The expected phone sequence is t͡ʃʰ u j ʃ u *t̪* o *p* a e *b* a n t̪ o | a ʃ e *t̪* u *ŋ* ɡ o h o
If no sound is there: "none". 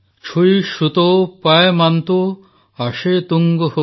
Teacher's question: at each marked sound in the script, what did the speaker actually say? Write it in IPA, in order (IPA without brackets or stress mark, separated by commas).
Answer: t̪, p, m, t̪, ŋ